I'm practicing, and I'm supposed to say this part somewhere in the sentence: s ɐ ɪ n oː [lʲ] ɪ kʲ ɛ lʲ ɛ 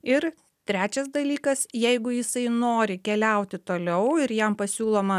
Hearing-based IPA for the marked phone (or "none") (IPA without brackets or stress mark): ɾʲ